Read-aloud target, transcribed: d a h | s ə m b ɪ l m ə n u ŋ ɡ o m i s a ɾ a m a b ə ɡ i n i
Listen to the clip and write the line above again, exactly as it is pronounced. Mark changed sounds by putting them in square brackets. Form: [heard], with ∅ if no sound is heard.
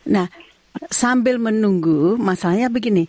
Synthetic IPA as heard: [n] a h | s [a] m b ɪ l m ə n u ŋ ɡ [u] m [a] s a [l] a [ɲ] a b ə ɡ i n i